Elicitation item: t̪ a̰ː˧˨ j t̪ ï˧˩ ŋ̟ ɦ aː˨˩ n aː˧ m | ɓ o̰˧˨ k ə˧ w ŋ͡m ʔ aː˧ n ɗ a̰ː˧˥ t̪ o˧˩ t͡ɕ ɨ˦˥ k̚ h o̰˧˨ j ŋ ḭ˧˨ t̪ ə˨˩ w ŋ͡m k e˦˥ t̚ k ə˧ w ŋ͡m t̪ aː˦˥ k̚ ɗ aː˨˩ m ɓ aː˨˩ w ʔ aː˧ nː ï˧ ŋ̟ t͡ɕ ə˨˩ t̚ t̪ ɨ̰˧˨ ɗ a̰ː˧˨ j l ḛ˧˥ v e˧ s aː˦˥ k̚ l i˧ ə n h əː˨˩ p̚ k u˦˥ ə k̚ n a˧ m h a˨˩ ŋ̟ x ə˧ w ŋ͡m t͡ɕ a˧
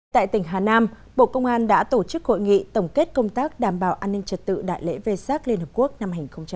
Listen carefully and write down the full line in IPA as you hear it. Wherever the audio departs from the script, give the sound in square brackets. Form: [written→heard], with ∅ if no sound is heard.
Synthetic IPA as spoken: t̪ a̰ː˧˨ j t̪ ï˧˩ ŋ̟ ɦ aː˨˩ n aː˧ m | ɓ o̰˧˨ k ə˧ w ŋ͡m ʔ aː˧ n ɗ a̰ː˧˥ t̪ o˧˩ t͡ɕ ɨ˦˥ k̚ h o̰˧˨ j ŋ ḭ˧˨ t̪ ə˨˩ w ŋ͡m k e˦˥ t̚ k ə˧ w ŋ͡m t̪ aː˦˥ k̚ ɗ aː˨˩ m ɓ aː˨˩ w ʔ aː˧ nː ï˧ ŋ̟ t͡ɕ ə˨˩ t̚ t̪ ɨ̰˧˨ ɗ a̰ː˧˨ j l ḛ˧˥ v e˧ s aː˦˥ k̚ l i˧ ə n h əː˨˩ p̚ k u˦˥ ə k̚ n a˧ m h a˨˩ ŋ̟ x ə˧ w ŋ͡m t͡ɕ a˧